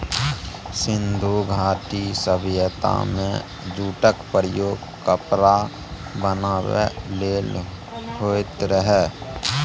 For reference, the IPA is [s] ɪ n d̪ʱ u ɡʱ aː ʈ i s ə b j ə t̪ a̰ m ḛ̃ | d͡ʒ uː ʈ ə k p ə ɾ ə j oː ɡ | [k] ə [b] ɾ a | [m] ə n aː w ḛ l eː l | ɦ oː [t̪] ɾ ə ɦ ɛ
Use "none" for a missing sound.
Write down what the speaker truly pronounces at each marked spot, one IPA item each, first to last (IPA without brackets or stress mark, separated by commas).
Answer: s, k, p, b, t̪